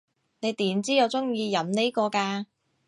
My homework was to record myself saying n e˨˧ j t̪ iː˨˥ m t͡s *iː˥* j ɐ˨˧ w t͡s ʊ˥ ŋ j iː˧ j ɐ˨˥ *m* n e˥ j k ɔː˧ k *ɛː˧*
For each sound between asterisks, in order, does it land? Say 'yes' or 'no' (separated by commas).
yes, yes, no